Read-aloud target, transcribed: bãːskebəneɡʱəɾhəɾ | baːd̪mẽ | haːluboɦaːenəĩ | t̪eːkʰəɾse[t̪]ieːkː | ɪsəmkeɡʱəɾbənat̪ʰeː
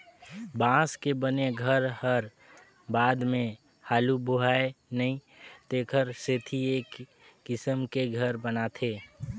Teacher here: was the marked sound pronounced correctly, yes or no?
no